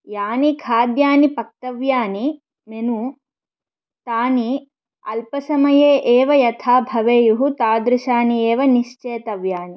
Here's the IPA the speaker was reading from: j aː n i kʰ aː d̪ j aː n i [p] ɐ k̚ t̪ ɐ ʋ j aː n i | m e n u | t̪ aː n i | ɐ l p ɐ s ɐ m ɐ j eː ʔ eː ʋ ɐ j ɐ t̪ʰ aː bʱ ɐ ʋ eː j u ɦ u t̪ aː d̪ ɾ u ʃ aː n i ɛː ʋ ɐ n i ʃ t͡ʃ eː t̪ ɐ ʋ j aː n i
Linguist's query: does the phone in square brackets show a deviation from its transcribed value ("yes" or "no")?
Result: no